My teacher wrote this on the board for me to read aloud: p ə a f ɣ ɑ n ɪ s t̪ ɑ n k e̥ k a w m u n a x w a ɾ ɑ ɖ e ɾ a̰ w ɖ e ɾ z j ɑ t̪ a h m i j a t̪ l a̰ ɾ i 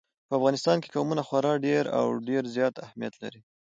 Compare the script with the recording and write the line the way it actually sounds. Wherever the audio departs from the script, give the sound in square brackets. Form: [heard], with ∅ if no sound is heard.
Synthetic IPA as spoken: p ə a f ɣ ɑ n ɪ s t̪ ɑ n k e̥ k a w m u n a x w a ɾ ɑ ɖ e ɾ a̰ w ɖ e ɾ z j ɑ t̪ a h m i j a t̪ l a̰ ɾ i